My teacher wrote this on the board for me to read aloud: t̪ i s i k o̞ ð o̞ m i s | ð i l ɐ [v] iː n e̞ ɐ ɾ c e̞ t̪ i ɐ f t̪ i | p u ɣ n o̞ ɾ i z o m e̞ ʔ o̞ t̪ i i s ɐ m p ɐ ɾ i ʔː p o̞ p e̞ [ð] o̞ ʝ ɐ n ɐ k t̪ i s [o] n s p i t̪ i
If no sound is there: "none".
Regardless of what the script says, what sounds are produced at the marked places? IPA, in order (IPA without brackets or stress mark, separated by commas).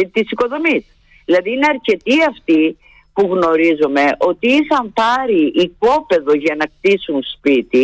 ð, ð, u